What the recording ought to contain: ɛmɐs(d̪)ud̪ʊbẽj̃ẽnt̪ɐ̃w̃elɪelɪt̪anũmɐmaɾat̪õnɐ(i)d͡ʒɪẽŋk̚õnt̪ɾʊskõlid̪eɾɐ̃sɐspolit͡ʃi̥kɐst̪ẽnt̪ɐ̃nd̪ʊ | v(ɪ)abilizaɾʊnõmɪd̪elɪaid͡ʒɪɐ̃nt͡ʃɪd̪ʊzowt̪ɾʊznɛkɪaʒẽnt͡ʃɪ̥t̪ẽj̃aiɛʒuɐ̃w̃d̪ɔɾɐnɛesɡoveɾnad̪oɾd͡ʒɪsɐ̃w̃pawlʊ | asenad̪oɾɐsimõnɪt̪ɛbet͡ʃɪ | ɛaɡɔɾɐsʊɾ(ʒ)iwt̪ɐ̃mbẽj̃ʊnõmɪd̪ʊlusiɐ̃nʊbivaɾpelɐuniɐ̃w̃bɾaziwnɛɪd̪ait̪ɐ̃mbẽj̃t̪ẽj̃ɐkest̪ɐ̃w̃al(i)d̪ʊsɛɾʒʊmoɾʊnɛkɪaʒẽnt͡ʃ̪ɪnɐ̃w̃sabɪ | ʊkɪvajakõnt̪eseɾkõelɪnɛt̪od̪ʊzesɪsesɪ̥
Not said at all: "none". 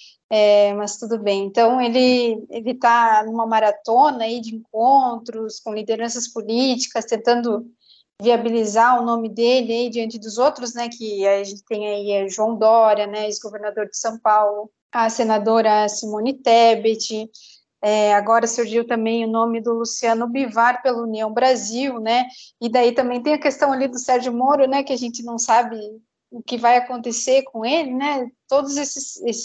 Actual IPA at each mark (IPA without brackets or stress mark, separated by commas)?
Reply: t̪, i, i, ʒ, i